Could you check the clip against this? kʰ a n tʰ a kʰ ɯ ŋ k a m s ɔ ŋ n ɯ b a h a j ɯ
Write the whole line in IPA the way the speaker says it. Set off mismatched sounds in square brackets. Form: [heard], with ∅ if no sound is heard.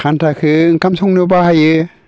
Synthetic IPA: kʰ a n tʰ a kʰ ɯ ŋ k a m s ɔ ŋ n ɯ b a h a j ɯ